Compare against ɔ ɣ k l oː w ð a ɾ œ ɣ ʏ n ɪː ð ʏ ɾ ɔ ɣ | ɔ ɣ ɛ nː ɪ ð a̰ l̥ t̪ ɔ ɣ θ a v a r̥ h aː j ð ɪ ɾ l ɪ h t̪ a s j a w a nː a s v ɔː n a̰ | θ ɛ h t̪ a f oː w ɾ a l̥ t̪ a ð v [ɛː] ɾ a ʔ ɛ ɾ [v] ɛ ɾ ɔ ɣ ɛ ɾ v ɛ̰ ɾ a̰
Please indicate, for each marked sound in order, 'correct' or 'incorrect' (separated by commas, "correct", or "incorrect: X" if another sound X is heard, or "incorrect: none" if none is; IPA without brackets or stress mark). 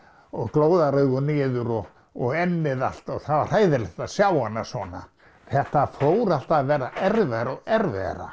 correct, correct